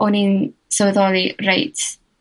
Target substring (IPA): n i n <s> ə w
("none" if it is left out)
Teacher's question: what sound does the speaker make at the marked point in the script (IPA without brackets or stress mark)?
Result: s